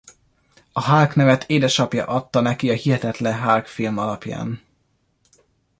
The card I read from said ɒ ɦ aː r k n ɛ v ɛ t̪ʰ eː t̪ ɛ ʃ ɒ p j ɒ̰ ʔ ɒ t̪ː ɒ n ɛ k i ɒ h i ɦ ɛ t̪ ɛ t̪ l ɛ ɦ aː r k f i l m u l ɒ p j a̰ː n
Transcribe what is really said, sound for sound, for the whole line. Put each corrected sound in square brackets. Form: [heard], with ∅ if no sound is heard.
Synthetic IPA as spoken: ɒ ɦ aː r k n ɛ v ɛ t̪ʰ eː [d̪] ɛ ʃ ɒ p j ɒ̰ ʔ ɒ t̪ː ɒ n ɛ k i ɒ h i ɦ ɛ t̪ ɛ t̪ l ɛ ɦ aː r k f i l m [ɒ] l ɒ p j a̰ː n